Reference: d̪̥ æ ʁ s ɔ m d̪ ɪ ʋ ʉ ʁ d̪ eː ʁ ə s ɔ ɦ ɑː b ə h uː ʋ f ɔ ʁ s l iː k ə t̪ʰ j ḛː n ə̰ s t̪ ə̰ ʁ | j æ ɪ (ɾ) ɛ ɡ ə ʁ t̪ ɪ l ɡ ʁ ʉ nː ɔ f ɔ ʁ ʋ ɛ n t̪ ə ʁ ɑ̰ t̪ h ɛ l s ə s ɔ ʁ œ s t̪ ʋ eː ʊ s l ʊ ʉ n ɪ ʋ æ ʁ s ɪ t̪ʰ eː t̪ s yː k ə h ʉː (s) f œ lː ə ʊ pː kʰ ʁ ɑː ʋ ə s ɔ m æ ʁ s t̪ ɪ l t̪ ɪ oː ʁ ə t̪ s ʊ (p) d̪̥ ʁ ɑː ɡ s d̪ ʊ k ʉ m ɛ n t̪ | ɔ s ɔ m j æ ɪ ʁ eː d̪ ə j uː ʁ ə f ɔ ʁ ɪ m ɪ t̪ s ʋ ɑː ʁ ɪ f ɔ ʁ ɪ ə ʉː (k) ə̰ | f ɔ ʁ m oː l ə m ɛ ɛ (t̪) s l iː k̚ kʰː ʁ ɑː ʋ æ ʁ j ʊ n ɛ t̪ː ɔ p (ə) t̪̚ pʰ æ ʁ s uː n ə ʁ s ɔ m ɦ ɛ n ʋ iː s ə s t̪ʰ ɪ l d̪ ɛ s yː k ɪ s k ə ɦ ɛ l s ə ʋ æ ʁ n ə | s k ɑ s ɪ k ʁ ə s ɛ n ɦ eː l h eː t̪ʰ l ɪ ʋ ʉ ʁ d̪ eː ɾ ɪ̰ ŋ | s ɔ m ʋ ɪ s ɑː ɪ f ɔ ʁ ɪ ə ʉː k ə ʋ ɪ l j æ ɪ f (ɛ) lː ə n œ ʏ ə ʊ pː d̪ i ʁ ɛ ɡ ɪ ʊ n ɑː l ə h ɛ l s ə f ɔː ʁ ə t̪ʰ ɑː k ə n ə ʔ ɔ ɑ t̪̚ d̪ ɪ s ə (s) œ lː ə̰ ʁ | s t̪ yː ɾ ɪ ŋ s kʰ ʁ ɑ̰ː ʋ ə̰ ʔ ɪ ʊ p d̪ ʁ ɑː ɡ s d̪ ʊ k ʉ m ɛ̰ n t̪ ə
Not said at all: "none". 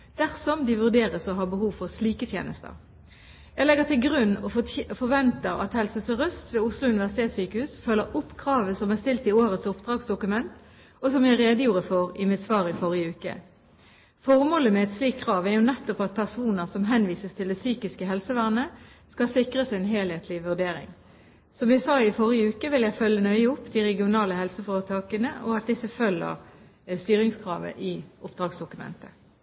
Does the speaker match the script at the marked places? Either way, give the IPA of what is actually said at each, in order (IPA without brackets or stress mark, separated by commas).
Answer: l, s, p, k, t̪, ɑ, œ, f